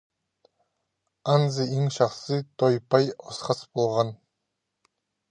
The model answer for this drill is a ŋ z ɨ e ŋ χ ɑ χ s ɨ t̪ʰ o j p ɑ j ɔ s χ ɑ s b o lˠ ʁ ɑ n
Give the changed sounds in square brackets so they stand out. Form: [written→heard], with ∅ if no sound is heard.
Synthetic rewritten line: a [ŋ→n] z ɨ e ŋ [χ→ʃ] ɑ χ s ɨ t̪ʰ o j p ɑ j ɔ s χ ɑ s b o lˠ ʁ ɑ n